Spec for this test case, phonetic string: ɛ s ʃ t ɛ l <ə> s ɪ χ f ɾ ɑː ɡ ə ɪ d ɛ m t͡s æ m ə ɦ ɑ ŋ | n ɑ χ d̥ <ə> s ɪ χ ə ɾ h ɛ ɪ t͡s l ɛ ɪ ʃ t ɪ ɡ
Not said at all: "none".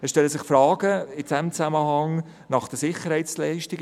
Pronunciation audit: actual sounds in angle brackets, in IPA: ə, ə

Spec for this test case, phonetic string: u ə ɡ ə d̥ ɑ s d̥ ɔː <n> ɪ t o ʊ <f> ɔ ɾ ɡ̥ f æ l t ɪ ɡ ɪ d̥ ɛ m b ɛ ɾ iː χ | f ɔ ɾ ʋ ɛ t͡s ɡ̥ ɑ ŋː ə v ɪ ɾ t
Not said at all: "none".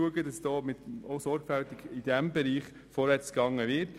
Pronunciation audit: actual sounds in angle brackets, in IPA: m, s

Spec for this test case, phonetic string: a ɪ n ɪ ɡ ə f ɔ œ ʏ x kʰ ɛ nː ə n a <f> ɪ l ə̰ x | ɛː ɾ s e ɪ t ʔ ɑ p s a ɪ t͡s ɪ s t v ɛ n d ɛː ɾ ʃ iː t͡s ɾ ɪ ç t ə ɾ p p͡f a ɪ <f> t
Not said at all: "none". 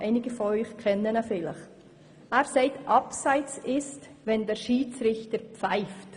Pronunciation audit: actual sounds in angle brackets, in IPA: f, f

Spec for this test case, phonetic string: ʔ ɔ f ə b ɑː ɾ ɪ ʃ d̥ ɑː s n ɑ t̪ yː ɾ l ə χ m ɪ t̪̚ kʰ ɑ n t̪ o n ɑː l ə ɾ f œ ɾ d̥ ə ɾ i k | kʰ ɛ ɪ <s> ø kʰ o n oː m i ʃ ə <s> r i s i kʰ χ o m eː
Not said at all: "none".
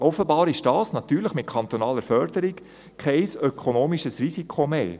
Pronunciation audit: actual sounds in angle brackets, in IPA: s, s

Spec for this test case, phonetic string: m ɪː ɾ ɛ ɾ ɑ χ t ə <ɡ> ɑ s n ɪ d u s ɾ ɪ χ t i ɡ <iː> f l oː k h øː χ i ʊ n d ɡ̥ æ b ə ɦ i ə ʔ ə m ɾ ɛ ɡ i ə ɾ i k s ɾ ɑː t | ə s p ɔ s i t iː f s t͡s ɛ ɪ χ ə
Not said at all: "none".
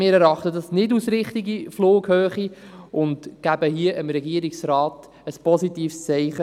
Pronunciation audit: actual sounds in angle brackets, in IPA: d, i

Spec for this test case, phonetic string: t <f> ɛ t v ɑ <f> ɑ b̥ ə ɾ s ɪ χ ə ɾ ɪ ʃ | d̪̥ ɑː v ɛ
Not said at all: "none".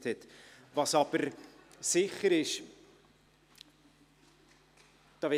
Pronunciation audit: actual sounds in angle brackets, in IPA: h, s

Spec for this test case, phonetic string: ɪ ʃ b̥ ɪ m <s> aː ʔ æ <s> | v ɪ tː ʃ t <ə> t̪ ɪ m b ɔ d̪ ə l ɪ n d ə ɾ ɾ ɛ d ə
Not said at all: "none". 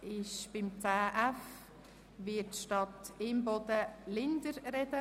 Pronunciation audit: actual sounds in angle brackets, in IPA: t͡s, f, ɑ

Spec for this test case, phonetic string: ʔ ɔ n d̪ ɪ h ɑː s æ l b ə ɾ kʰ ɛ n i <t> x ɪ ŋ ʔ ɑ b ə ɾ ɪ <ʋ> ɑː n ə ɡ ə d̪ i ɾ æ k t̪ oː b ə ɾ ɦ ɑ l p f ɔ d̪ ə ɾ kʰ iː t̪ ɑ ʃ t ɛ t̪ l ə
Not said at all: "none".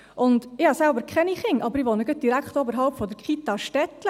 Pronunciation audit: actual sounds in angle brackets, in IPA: none, ʋ

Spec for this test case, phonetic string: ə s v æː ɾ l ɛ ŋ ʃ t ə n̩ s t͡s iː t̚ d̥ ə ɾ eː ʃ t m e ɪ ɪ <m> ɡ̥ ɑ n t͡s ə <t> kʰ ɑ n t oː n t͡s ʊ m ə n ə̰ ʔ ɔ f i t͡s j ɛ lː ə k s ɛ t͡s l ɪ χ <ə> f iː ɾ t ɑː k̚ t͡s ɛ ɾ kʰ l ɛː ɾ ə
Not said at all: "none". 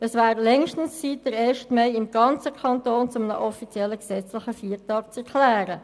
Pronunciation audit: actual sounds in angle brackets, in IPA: m, none, ə

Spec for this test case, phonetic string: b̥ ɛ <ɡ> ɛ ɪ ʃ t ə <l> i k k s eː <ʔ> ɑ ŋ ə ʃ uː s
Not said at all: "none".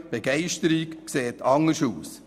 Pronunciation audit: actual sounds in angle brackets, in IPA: ɡ, ɾ, t

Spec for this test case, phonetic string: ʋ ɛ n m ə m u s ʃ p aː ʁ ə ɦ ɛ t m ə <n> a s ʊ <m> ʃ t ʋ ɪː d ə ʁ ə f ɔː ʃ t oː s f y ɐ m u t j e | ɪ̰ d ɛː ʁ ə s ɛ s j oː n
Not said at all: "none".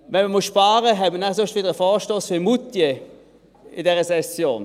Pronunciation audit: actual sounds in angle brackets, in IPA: n, none

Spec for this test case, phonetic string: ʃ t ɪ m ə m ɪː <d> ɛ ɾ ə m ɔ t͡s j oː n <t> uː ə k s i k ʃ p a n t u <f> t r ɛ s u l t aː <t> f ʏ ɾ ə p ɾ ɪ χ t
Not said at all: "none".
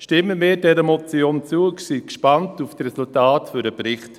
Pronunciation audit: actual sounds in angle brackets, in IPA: d, t͡s, f, t

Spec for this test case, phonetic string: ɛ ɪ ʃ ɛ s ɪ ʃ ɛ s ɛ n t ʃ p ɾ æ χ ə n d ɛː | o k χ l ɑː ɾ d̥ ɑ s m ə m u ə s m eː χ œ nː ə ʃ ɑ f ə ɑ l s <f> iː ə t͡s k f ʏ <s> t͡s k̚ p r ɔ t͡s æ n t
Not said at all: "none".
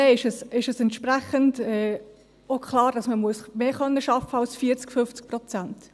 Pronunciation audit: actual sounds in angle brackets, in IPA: f, f

